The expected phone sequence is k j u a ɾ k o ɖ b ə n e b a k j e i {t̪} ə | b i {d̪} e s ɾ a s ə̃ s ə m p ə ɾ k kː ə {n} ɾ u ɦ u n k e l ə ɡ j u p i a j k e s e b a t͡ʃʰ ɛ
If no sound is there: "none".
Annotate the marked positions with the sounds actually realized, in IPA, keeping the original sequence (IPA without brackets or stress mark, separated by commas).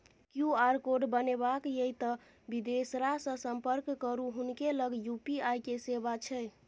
t̪, d̪, none